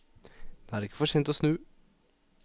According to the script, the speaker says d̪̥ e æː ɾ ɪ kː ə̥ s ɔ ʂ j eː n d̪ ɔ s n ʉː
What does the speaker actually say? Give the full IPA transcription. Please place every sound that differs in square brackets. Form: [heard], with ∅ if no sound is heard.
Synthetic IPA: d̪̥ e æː ɾ ɪ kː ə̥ [f] ɔ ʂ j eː n [t̪] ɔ s n ʉː